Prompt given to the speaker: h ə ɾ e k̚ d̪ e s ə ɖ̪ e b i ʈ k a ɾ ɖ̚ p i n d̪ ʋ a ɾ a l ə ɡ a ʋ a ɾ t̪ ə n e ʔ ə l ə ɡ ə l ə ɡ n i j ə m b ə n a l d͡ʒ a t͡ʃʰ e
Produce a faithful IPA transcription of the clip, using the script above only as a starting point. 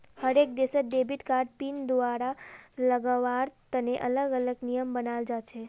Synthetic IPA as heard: h ə ɾ e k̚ d̪ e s ə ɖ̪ e b i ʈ k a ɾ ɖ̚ p i n d̪ ʋ a ɾ a l ə ɡ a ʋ a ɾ t̪ ə n e ʔ ə l ə ɡ ə l ə ɡ n i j ə m b ə n a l d͡ʒ a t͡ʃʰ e